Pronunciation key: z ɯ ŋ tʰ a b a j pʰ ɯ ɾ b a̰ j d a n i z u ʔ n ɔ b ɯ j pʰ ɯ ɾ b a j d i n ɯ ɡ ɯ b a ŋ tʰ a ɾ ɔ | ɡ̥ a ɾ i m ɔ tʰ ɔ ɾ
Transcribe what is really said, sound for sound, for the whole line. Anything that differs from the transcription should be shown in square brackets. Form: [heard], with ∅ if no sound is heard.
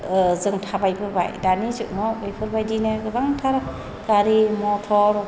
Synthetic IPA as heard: z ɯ ŋ tʰ a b a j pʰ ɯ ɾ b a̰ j d a n i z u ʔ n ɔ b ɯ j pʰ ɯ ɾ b a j d i n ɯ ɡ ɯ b a ŋ tʰ a ɾ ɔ | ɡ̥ a ɾ i m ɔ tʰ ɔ ɾ